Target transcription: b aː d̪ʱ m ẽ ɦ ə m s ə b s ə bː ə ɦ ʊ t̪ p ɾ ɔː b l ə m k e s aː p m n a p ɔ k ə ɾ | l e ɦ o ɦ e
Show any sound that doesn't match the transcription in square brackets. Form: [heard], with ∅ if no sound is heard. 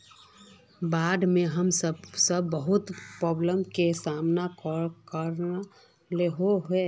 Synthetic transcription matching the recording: b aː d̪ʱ m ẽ ɦ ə m s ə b s ə bː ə ɦ ʊ t̪ p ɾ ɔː b l ə m k e s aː [∅] m n a [k] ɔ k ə ɾ | l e ɦ o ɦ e